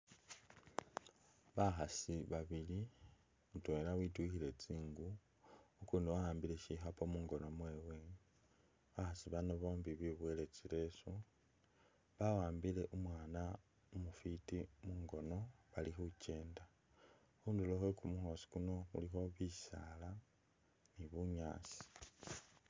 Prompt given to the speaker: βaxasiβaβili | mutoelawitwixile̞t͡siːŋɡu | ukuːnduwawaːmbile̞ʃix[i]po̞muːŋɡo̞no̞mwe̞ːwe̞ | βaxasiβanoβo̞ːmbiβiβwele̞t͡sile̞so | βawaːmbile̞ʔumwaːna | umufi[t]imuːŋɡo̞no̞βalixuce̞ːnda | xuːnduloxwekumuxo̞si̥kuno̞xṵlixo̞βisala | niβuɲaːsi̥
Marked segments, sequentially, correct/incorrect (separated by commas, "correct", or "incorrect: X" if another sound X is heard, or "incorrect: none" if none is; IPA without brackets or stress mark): incorrect: a, correct